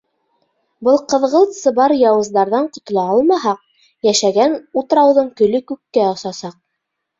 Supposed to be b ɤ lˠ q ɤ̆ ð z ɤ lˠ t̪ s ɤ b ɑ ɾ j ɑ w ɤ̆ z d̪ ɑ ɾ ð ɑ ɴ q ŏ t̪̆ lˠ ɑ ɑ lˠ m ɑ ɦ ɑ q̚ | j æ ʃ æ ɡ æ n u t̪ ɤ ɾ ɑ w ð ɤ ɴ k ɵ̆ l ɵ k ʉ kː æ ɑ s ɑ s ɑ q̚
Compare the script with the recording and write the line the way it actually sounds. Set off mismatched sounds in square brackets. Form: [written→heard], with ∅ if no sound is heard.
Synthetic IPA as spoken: b ɤ lˠ q ɤ̆ ð [z→ʁ] ɤ lˠ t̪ s ɤ b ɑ ɾ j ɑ w ɤ̆ z d̪ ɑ ɾ ð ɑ ɴ q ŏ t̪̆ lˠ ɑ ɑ lˠ m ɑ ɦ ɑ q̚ | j æ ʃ æ ɡ æ n u t̪ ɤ ɾ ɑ w ð ɤ ɴ k ɵ̆ l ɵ k ʉ kː æ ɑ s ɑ s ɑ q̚